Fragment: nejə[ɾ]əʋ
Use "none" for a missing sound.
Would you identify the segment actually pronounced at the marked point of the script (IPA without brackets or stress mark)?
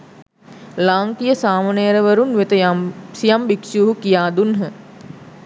ɾ